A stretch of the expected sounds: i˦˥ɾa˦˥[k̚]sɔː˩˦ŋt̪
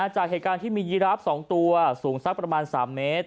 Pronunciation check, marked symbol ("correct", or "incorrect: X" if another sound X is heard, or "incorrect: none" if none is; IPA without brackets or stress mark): incorrect: p̚